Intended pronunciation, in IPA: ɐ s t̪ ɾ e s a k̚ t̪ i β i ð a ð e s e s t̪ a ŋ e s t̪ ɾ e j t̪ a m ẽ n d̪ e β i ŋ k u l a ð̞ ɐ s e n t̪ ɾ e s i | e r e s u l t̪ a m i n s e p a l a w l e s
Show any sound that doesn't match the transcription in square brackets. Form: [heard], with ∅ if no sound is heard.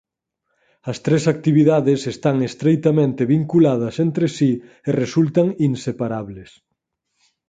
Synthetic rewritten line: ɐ s t̪ ɾ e s a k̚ t̪ i β i ð a ð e s e s t̪ a ŋ e s t̪ ɾ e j t̪ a m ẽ n [t̪] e β i ŋ k u l a ð̞ ɐ s e n t̪ ɾ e s i | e r e s u l t̪ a [ŋ] i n s e p a [ɾ] a [β] l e s